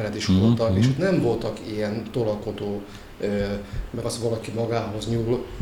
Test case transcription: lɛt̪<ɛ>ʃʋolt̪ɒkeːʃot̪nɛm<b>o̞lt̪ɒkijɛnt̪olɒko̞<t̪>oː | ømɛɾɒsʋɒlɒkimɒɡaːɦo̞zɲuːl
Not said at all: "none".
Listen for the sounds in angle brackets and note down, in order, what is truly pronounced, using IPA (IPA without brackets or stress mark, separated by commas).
i, v, d̪